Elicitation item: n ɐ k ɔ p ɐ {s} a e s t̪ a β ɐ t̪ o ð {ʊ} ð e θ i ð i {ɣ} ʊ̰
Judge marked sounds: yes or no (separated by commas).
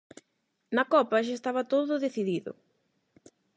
no, yes, no